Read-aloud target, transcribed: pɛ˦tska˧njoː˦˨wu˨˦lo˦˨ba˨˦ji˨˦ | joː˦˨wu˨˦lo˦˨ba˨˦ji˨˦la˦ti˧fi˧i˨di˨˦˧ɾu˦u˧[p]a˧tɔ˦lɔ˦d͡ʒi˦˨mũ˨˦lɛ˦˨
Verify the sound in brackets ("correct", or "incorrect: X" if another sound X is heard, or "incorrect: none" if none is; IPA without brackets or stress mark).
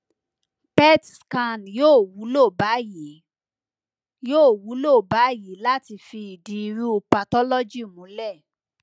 correct